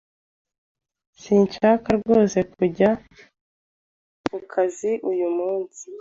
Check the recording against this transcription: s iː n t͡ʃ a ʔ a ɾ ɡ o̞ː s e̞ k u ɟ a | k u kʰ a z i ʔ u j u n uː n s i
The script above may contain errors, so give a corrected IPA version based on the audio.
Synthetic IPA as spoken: s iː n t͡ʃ a k a ɾ ɡ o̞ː s e̞ k u ɟ a | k u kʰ a z i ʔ u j u m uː n s i